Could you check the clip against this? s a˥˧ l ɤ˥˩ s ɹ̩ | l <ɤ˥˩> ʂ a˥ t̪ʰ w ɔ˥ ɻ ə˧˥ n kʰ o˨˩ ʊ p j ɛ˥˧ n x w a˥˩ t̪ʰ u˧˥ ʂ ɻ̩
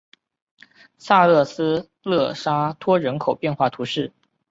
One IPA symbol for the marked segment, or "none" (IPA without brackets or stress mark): ɤ˥˩